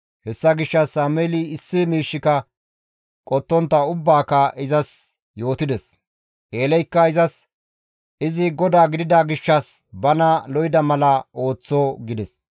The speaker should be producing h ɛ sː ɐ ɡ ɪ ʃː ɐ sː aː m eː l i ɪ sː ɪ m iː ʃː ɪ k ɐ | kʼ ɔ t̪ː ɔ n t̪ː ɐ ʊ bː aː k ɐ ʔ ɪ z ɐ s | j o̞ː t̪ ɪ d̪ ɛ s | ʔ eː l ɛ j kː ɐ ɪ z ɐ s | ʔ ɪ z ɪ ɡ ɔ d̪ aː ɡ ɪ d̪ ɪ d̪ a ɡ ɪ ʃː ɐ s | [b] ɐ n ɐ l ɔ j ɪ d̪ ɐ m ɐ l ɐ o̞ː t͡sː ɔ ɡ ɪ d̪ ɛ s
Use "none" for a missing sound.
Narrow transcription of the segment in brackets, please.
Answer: b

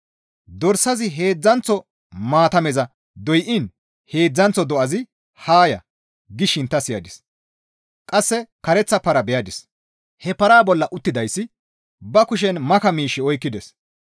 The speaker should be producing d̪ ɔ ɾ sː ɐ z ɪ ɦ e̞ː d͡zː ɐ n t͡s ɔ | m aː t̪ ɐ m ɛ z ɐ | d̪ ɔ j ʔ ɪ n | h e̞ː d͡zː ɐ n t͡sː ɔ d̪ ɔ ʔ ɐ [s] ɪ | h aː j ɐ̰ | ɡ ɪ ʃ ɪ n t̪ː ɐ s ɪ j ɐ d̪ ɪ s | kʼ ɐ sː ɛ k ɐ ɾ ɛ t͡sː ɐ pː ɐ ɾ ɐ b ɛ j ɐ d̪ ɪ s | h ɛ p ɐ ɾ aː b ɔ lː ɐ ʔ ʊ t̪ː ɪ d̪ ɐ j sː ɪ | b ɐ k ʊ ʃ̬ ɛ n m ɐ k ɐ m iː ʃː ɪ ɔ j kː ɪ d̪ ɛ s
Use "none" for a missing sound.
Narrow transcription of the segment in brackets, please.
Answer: z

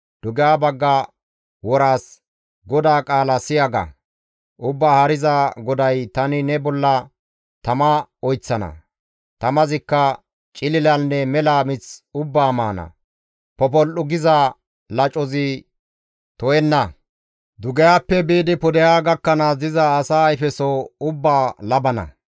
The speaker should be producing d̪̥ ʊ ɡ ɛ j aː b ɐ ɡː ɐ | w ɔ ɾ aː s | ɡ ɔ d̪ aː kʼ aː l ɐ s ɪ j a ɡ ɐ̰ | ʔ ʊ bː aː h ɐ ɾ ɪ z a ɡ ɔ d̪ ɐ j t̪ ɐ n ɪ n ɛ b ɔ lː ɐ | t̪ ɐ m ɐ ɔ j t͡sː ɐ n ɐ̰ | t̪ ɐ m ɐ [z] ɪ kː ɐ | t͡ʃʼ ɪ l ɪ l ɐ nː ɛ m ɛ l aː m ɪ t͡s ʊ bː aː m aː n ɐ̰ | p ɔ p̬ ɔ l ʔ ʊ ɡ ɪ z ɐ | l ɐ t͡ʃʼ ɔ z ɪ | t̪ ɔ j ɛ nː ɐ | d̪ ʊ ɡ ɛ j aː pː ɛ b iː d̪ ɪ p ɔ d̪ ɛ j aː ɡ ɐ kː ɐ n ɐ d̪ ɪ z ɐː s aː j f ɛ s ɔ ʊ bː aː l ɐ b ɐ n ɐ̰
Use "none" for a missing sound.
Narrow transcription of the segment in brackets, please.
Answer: z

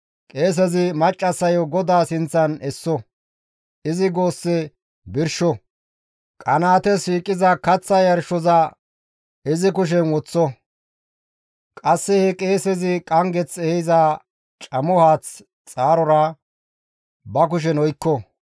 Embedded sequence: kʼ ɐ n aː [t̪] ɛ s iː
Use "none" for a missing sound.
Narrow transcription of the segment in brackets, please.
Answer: t̪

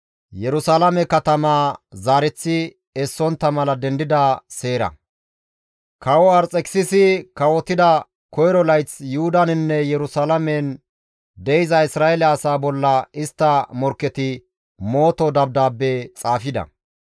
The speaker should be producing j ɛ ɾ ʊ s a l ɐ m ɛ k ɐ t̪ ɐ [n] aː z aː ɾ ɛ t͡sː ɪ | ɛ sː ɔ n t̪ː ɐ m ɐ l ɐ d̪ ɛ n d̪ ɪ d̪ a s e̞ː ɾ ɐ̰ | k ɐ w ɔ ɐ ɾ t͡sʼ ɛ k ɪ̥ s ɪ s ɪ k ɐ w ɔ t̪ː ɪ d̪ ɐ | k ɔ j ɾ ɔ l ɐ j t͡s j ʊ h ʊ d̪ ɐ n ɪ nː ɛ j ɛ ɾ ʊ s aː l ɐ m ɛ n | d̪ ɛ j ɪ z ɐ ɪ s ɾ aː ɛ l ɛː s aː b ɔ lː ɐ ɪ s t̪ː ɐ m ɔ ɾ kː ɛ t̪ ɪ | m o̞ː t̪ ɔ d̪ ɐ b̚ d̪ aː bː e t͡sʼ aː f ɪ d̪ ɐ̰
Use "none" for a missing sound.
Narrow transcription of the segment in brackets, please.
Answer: m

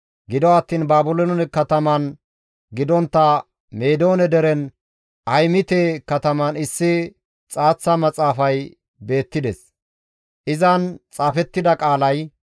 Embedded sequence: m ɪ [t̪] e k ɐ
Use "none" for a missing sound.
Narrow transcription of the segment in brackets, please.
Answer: t̪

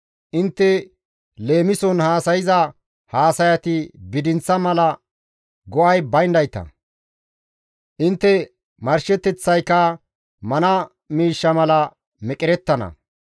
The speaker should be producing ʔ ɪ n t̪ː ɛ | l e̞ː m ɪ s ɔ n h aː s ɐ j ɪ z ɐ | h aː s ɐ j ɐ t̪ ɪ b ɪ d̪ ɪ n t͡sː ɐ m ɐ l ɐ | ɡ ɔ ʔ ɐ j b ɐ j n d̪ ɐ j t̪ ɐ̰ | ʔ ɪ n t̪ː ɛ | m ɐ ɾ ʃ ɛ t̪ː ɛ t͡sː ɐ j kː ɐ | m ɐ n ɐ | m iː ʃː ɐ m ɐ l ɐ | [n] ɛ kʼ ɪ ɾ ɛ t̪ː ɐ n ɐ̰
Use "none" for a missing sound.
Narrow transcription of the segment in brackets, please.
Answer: m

